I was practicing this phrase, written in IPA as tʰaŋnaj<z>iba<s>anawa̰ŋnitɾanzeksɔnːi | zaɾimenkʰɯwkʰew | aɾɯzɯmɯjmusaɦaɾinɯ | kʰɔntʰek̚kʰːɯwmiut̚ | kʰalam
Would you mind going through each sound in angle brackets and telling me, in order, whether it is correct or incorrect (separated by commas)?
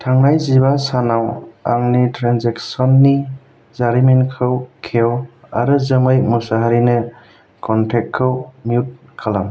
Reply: correct, correct